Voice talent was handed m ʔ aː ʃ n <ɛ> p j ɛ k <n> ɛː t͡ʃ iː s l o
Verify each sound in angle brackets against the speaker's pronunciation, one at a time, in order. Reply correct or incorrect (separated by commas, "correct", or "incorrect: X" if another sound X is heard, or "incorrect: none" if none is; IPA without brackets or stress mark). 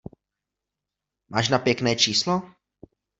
incorrect: a, correct